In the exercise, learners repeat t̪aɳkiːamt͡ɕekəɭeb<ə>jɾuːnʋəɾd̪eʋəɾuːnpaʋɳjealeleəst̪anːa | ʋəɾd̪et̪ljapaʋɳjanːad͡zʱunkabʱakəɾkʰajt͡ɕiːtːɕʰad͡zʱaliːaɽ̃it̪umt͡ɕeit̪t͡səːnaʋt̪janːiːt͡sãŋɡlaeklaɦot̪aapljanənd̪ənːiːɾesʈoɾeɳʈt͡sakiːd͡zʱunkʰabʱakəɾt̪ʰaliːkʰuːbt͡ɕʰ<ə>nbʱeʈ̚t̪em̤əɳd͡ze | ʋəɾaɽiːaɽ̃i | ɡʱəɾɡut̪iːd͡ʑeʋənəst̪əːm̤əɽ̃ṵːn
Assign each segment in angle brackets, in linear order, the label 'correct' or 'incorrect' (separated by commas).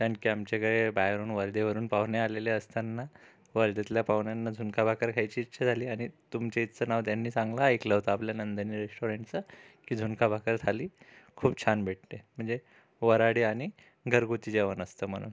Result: incorrect, incorrect